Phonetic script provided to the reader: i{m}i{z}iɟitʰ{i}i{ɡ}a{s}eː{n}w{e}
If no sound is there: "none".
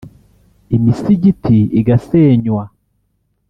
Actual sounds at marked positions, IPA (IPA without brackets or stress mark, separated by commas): m, s, i, ɡ, s, ɲ, a